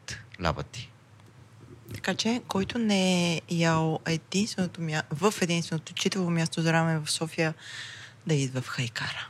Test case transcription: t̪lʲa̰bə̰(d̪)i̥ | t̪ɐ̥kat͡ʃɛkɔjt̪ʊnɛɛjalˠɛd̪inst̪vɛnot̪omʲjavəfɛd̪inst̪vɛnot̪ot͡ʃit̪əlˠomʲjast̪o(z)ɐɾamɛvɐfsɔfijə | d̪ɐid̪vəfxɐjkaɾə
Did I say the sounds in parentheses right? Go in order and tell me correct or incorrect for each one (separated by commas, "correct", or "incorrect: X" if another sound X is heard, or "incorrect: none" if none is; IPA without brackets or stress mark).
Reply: incorrect: t̪, correct